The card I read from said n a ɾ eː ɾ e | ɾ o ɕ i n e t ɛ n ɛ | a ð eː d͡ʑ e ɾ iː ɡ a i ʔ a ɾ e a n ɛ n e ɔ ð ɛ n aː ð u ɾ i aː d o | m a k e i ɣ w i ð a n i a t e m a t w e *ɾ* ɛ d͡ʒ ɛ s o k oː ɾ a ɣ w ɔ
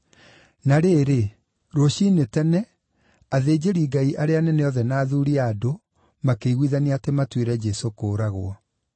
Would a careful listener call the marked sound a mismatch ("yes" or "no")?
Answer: no